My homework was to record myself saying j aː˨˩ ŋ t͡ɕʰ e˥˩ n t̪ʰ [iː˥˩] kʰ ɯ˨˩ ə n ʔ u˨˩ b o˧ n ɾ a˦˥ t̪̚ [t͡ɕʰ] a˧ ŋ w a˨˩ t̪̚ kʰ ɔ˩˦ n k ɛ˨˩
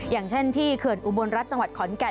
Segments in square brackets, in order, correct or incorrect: correct, incorrect: t͡ɕ

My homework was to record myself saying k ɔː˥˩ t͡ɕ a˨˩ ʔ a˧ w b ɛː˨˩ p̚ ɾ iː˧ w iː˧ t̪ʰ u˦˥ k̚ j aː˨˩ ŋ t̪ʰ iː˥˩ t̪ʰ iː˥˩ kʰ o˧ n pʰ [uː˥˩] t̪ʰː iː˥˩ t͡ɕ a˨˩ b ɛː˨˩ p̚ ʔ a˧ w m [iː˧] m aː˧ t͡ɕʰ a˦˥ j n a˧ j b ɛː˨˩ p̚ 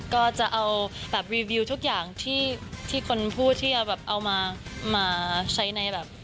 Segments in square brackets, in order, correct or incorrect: correct, incorrect: aː˧

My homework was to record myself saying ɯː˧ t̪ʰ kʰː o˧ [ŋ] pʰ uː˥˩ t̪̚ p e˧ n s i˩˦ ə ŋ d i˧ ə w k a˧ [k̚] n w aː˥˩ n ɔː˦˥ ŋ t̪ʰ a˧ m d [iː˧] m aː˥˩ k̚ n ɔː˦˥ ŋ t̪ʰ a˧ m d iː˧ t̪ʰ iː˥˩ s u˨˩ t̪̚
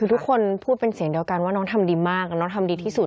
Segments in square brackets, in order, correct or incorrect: incorrect: n, incorrect: none, correct

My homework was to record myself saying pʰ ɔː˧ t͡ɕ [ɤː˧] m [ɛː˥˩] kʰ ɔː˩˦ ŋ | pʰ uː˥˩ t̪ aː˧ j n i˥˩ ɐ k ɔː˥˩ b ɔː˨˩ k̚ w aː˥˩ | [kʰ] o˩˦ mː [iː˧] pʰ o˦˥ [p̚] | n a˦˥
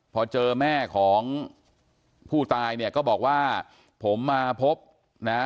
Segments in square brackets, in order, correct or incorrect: correct, correct, incorrect: pʰ, incorrect: aː˧, correct

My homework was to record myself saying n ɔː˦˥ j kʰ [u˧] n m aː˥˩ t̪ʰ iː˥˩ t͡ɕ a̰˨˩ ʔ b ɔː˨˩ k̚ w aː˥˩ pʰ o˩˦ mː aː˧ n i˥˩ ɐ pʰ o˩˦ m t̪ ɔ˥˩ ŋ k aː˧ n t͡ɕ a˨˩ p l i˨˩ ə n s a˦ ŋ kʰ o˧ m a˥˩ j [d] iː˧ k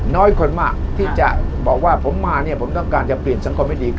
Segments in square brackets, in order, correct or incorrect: incorrect: o˧, correct

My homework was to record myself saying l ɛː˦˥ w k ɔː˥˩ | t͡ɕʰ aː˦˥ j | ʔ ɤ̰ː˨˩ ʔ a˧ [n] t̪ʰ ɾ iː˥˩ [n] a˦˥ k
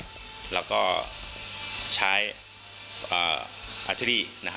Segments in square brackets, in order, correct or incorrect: incorrect: none, correct

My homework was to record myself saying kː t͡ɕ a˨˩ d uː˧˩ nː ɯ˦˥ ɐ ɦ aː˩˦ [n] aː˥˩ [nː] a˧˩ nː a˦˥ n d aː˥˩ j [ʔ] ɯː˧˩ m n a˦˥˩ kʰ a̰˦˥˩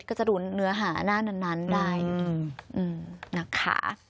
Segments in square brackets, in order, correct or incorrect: correct, incorrect: n, correct

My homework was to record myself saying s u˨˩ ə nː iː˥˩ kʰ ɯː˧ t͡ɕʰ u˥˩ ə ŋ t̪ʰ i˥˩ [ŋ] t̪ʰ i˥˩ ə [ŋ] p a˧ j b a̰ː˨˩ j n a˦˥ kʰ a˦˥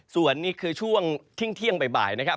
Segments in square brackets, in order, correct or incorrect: correct, correct

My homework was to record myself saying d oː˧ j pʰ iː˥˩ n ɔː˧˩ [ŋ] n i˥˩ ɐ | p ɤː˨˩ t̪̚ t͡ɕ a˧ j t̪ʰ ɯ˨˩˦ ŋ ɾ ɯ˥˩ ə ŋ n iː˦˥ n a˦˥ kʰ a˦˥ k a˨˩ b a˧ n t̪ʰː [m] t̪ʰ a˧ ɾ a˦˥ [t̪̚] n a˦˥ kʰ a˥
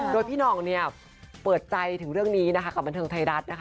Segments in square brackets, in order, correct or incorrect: correct, incorrect: ŋ, correct

